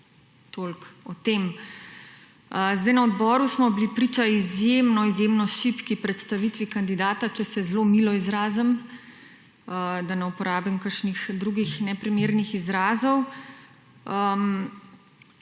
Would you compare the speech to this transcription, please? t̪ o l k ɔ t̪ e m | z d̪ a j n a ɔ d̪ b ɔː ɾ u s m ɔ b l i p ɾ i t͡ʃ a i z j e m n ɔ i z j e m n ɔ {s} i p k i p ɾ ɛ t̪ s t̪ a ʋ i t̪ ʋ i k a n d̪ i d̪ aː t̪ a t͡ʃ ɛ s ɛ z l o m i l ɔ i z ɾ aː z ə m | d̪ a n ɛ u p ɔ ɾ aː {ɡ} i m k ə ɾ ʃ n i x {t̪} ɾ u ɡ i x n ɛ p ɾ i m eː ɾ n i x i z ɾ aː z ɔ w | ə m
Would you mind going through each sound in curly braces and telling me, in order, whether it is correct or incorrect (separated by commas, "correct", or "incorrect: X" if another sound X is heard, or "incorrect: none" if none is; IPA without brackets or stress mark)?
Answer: incorrect: ʃ, incorrect: b, incorrect: d̪